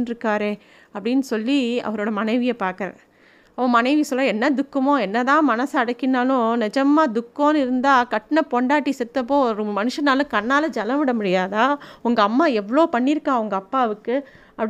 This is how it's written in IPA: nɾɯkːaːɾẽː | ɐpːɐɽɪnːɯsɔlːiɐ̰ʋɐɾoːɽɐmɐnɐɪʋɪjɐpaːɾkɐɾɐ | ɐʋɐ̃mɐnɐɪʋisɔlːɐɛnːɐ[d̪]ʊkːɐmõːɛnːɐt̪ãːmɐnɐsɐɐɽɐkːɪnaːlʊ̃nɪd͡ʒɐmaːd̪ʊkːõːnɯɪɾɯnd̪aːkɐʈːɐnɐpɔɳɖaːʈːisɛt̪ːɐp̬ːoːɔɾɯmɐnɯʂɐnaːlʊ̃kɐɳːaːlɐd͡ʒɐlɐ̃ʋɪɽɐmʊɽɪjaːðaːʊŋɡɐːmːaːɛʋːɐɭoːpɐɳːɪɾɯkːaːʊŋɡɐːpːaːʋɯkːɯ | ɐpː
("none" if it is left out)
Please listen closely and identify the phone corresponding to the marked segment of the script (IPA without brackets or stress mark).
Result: d̪